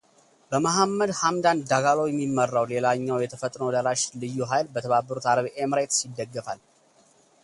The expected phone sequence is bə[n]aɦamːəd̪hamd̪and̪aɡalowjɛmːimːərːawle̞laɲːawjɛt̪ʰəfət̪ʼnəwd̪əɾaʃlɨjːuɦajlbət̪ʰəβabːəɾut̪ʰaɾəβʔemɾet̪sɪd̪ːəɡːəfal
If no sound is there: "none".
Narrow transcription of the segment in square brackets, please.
m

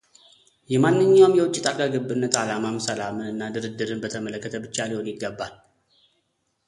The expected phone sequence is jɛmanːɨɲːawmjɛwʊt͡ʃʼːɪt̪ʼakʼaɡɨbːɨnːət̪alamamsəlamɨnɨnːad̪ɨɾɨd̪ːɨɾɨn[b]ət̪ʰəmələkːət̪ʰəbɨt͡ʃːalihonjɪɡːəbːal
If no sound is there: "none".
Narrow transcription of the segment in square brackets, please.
b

